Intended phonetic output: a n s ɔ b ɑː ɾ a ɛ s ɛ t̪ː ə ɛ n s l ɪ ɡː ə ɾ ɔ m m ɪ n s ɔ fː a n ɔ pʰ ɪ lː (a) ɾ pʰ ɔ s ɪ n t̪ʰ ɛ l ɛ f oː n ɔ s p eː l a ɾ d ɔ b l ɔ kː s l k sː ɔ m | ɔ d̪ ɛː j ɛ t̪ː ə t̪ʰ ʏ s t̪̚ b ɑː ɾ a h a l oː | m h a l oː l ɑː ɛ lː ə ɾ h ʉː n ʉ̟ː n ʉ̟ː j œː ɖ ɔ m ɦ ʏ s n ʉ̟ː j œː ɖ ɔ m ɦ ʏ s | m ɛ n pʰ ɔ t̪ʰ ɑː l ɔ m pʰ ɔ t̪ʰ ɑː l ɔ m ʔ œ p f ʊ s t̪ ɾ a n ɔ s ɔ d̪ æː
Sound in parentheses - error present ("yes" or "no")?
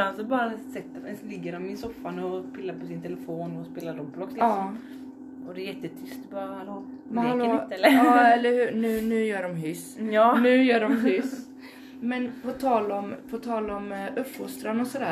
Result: no